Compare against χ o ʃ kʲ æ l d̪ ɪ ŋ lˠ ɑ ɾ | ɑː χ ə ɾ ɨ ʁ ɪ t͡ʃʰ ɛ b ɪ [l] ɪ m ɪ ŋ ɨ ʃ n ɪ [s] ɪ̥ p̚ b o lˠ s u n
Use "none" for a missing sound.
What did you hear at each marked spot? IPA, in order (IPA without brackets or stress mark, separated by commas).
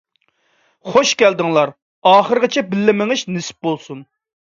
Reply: lː, s